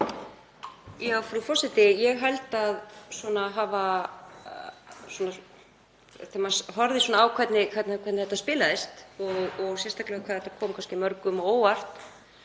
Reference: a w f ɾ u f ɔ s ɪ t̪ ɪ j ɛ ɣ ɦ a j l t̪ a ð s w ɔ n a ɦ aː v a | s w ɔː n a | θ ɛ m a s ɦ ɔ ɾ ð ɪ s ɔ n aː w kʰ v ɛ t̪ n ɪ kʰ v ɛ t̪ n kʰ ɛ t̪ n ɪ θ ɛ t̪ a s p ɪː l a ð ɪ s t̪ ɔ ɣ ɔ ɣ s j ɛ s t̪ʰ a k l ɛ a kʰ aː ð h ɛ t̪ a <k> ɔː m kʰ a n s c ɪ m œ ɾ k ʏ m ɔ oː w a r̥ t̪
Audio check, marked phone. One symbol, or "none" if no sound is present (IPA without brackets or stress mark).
kʰ